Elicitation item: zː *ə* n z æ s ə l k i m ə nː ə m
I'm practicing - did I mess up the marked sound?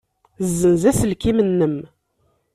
no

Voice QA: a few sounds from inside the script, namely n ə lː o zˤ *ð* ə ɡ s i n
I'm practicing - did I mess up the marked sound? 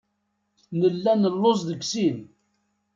no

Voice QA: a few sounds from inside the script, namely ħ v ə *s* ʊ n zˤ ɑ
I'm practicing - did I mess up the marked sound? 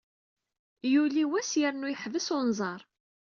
no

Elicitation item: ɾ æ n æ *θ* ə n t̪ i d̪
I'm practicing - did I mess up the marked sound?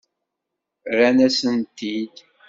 yes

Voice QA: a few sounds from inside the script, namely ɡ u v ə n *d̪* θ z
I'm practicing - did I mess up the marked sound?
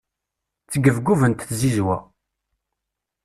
yes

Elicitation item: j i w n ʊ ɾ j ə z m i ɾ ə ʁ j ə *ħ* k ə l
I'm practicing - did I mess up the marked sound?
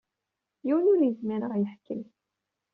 no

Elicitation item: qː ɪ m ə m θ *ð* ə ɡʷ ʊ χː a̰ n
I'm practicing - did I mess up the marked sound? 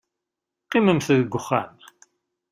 no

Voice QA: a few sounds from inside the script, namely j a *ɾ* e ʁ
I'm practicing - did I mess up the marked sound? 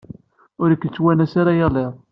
yes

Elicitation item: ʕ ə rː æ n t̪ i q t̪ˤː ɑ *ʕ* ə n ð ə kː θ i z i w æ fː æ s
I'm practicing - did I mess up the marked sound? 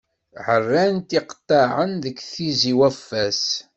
no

